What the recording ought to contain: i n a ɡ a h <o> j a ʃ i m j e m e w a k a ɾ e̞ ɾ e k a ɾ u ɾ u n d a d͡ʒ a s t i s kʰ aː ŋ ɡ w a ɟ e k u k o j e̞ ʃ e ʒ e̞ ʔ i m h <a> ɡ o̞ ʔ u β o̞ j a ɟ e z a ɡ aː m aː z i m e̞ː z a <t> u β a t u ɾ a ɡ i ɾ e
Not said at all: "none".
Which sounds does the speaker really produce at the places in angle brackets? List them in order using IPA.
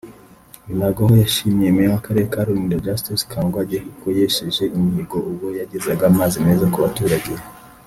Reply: o, i, k

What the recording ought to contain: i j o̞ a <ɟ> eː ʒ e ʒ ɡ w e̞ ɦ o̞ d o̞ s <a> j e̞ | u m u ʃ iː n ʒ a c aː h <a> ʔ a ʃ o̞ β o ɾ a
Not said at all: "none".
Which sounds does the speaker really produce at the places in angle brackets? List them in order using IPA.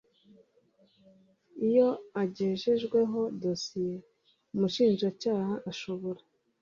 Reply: ɟ, i, a

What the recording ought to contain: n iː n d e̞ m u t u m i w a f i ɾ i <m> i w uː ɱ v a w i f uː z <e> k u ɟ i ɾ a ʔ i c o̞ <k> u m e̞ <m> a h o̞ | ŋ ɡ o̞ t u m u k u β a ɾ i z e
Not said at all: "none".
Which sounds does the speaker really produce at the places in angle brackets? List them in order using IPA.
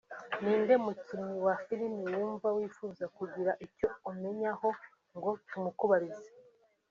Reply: m, a, none, ɲ

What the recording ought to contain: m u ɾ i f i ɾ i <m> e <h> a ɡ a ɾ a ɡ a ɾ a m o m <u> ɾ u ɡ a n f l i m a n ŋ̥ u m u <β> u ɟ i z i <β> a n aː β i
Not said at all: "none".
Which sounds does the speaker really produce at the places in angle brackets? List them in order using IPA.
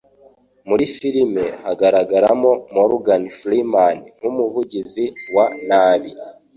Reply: m, h, o, v, w

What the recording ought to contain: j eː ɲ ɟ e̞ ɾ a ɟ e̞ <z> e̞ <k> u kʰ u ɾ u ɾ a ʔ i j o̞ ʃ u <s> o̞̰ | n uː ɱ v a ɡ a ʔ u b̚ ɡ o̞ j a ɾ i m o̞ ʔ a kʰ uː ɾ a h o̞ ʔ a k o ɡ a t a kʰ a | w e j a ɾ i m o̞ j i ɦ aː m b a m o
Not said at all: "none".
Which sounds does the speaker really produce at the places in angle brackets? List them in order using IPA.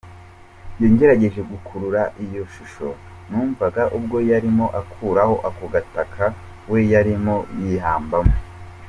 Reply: ʒ, ɡ, ʃ

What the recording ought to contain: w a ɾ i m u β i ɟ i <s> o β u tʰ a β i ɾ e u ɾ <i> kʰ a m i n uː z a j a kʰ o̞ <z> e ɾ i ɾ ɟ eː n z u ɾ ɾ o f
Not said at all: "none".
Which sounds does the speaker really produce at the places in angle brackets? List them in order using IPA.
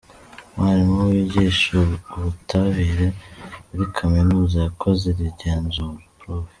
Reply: ʃ, i, z

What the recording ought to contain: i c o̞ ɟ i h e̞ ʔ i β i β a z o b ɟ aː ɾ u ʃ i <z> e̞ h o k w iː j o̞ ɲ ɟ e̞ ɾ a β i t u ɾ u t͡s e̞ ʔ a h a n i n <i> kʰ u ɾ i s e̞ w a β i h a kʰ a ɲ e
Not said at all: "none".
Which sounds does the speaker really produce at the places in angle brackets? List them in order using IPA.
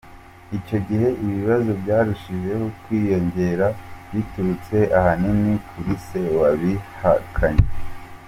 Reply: ʒ, i

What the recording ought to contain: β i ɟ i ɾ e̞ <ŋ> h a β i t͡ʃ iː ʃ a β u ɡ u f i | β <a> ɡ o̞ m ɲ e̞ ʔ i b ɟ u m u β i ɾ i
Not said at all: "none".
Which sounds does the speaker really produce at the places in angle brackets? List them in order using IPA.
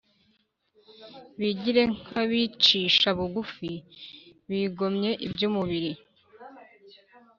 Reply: ŋ, i

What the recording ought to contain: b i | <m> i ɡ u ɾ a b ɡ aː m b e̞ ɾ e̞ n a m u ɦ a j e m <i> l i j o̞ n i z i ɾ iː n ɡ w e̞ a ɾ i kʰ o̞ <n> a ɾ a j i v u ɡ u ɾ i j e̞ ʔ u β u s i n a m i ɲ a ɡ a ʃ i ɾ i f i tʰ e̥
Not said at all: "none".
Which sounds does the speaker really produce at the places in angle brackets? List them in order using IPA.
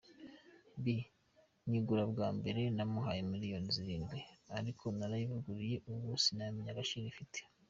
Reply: ɲ, i, n

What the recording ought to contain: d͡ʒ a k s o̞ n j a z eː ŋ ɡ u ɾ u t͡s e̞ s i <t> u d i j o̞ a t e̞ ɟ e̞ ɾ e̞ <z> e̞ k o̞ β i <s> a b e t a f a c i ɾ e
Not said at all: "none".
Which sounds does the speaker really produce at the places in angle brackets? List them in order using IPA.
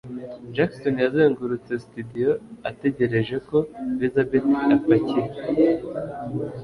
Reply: t, ʒ, z

